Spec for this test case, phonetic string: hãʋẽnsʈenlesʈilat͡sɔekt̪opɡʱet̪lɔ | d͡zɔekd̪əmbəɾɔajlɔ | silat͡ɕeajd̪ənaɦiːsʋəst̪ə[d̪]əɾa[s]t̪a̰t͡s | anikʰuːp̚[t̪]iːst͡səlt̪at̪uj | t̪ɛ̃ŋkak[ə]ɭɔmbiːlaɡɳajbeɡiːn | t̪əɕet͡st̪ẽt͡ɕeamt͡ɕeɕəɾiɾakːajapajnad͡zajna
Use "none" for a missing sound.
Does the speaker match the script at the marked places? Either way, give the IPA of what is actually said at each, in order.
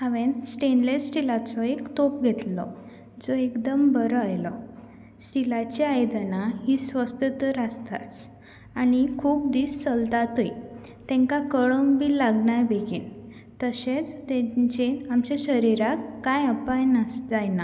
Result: t̪, s, d̪, ə

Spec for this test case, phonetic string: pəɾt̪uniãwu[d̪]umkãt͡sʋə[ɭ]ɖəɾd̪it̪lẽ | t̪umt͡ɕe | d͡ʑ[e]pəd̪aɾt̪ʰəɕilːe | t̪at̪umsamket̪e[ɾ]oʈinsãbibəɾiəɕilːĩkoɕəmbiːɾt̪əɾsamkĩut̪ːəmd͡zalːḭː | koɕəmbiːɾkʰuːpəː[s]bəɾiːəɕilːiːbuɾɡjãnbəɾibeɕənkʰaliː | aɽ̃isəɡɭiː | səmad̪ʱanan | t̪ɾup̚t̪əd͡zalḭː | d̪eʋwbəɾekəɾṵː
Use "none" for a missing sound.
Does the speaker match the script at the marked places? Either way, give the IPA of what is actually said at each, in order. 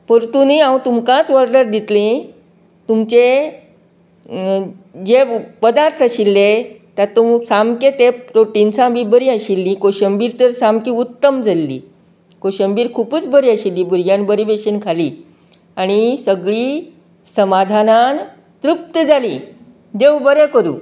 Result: t̪, ɾ, e, ɾ, t͡s

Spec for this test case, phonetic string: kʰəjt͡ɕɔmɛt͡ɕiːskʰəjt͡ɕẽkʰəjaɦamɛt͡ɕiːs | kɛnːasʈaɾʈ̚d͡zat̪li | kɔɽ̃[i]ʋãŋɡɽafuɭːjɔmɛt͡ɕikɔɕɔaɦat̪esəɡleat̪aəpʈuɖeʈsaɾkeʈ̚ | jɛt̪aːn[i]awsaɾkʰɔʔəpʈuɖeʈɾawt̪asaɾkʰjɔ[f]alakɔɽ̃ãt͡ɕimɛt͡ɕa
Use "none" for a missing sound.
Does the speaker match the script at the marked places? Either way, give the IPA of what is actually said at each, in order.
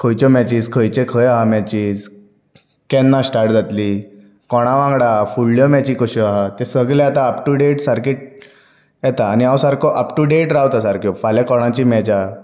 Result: a, i, f

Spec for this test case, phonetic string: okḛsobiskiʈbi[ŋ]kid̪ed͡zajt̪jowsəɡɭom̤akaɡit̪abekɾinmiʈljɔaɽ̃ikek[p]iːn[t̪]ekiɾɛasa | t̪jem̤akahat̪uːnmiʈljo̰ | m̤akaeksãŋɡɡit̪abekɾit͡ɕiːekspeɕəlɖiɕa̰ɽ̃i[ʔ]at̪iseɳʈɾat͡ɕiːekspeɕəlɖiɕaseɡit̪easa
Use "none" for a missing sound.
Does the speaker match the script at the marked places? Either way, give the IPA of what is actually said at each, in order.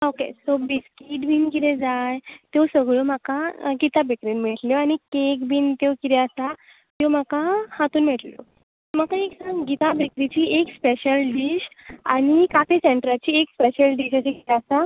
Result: n, b, t̪, k

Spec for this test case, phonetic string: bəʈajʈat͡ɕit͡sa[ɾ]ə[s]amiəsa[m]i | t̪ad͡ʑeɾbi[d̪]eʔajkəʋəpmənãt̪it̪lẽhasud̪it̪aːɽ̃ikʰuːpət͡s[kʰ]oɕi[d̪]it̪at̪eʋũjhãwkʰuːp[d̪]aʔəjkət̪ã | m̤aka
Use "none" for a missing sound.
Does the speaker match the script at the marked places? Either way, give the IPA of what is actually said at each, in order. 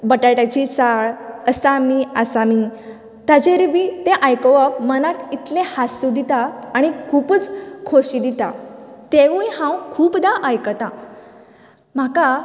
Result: ɭ, s, m, t̪, kʰ, d̪, d̪

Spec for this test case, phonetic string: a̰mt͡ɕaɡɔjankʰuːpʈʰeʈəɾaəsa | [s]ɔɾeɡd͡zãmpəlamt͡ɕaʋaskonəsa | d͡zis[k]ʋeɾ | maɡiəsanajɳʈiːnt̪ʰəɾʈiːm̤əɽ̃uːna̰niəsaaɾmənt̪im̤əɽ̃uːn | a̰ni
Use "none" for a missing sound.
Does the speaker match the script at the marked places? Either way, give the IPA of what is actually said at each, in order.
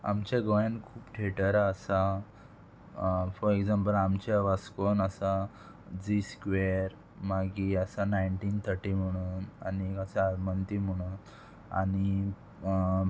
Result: f, k

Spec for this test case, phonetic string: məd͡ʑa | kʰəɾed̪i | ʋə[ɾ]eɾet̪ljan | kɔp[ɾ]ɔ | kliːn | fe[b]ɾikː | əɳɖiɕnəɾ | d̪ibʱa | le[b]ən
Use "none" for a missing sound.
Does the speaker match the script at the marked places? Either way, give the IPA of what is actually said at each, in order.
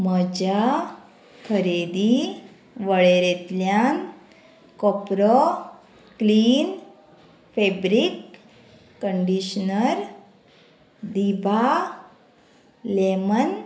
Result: ɭ, ɾ, b, m

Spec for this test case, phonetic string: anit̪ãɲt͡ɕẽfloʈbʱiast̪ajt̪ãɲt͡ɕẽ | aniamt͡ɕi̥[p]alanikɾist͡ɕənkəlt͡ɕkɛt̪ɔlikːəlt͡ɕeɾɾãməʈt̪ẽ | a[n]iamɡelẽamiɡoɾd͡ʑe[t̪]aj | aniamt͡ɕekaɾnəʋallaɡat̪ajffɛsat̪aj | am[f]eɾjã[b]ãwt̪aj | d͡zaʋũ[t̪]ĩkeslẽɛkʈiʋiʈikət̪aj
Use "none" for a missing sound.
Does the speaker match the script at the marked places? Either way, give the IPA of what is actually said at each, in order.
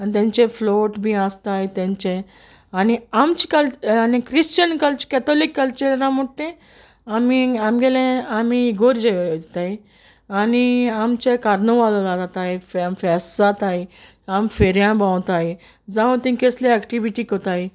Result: k, m, t̪, f, b, t̪

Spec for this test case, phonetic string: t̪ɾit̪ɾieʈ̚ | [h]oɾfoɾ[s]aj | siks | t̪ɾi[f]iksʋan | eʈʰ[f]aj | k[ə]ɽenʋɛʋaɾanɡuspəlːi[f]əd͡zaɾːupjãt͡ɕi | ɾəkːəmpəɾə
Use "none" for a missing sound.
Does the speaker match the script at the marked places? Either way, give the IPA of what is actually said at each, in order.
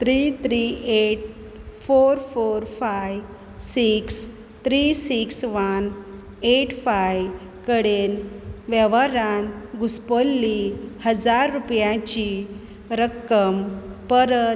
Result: f, f, s, f, ə, h

